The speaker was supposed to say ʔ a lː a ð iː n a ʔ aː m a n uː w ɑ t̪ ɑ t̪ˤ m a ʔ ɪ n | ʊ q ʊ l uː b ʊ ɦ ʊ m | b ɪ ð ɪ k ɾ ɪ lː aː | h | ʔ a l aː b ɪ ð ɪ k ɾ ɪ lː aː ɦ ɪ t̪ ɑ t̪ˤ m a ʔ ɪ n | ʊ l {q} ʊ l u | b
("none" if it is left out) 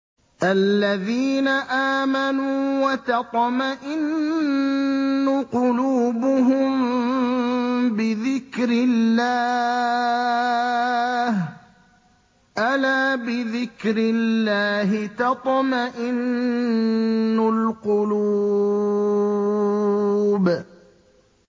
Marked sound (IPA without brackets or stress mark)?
q